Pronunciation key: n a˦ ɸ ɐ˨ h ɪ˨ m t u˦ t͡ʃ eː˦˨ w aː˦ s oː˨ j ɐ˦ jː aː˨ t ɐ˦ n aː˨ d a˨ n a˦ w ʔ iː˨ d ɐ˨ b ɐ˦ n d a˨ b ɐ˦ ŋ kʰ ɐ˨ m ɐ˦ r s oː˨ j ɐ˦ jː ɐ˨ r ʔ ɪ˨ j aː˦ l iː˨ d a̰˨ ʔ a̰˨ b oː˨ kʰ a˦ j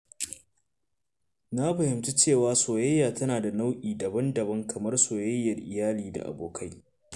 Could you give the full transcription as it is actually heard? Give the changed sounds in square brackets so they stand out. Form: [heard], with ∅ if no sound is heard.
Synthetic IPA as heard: n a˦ ɸ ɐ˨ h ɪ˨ m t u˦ t͡ʃ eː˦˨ w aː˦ s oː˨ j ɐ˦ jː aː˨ t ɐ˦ n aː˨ d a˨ n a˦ w ʔ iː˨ d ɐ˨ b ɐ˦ n d [ɐ˨] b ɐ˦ ŋ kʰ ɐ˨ m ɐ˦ r s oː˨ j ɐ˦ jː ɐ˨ r ʔ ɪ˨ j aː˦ l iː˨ d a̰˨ ʔ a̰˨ b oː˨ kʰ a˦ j